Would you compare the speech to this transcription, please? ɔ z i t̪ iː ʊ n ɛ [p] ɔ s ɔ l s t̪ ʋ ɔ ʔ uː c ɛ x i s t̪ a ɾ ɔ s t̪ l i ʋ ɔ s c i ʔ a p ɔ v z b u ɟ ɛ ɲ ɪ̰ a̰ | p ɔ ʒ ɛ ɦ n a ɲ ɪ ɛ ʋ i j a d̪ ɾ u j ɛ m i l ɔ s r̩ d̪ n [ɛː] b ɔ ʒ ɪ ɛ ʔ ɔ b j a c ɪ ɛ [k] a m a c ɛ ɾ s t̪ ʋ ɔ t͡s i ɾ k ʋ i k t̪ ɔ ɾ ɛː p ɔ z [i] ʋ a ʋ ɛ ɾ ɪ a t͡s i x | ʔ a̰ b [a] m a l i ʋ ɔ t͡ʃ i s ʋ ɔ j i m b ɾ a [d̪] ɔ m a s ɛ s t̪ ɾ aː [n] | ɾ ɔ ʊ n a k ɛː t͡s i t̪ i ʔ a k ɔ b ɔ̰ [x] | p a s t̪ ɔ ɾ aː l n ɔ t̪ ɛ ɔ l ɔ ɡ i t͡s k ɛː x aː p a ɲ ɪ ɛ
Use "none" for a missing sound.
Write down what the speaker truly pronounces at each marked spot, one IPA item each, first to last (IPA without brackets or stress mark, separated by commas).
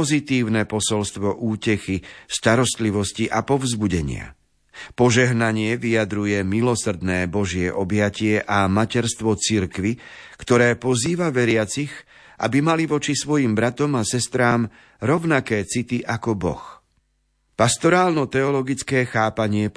p, ɛː, ʔ, iː, i, t̪, m, x